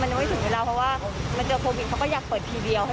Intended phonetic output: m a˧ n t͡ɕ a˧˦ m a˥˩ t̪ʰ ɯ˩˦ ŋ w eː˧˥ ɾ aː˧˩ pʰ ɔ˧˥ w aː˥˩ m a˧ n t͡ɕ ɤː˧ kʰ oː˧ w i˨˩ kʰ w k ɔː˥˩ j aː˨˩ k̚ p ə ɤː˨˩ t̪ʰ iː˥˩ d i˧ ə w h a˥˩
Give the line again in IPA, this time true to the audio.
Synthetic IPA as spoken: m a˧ n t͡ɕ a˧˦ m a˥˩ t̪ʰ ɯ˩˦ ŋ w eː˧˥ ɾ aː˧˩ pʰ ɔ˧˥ w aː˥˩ m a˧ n t͡ɕ ɤː˧ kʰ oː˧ w i˨˩ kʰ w k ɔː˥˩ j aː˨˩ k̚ p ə ɤː˨˩ t̪ʰ iː˧ d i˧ ə w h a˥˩